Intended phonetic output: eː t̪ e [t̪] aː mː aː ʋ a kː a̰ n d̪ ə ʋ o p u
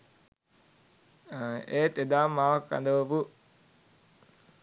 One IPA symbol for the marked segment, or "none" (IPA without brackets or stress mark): d̪